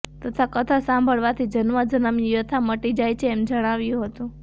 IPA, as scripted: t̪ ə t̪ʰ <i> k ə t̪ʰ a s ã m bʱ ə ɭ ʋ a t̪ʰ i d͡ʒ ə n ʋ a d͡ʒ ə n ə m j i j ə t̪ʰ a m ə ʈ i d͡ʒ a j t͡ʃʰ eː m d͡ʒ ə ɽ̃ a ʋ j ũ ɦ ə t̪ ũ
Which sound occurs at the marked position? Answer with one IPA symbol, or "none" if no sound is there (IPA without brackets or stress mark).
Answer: a